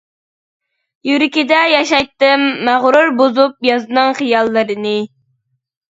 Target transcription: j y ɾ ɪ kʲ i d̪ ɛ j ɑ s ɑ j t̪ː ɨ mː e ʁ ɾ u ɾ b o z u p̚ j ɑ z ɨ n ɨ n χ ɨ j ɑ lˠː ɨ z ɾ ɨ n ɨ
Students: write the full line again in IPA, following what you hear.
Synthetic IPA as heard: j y ɾ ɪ kʲ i d̪ ɛ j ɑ ʃ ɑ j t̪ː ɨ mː æ ʁ ɾ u ɾ b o z u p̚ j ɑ z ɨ n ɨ ŋ χ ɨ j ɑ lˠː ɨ ɾ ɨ n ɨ

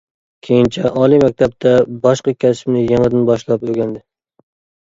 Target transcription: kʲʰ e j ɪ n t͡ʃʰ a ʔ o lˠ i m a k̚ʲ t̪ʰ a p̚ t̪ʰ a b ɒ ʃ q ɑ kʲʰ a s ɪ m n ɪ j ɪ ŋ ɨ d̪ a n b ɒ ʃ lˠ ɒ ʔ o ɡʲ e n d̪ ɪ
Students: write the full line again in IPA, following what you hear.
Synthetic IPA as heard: kʲʰ e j ɪ n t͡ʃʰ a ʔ ɒ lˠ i m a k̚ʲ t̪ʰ a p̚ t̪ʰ a b ɒ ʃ q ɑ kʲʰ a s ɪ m n ɪ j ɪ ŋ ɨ d̪ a n b ɒ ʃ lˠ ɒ p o ɡʲ a n d̪ ɪ

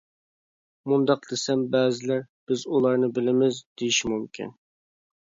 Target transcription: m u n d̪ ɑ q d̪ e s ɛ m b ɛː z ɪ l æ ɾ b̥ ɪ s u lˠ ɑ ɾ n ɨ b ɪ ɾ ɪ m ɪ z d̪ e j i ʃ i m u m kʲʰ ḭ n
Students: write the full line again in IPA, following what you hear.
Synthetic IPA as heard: m u n d̪ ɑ q d̪ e s ɛ m b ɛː z ɪ l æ ɾ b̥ ɪ z u lˠ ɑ ɾ n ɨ b ɪ l ɪ m ɪ z d̪ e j i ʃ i m u m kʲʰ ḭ n

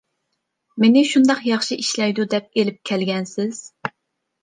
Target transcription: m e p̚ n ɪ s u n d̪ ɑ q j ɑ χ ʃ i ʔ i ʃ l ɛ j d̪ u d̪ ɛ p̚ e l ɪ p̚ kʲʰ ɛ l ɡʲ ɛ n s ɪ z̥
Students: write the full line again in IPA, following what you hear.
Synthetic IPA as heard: m e n ɪ ʃ u n d̪ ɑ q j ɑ χ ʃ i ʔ i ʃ l ɛ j d̪ u d̪ ɛ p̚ e l ɪ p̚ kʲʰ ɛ l ɡʲ ɛ n s ɪ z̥

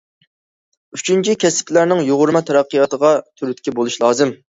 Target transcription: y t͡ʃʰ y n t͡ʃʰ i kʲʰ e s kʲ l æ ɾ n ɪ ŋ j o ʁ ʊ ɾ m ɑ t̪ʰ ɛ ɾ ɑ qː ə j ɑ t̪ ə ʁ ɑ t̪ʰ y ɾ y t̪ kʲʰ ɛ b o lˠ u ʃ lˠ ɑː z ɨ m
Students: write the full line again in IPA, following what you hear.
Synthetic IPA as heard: y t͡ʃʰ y n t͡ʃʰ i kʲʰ ɛ s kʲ l æ ɾ n ɪ ŋ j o ʁ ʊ ɾ m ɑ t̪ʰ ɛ ɾ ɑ qː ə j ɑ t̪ ə ʁ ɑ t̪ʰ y ɾ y t̪ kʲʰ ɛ b o lˠ u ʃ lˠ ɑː z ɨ m

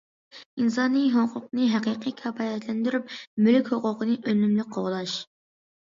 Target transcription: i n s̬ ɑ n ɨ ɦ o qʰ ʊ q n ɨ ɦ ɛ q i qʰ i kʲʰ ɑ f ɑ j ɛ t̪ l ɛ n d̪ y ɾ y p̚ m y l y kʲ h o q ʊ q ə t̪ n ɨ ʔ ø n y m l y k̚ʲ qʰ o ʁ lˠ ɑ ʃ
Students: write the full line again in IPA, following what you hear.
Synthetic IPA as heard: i n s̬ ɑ n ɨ ɦ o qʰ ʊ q n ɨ ɦ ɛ q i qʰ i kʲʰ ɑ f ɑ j ɛ t̪ l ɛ n d̪ y ɾ y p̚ m y l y kʲ h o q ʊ q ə n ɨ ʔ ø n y m l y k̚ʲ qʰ o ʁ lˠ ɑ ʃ

